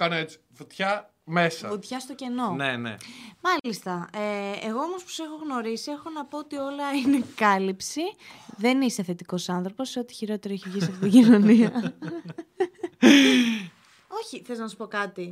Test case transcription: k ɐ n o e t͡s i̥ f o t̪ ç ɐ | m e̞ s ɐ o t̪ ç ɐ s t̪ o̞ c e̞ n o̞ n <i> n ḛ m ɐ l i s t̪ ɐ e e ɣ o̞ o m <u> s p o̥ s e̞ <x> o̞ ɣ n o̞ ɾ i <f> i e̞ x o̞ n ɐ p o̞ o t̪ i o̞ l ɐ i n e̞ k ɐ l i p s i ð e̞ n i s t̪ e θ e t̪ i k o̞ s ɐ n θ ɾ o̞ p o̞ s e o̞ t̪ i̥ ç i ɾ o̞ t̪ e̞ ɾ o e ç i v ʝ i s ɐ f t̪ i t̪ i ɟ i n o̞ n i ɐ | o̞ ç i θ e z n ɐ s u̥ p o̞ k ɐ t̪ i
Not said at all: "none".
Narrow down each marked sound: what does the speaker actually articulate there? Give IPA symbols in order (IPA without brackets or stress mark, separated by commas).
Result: e, o, x, s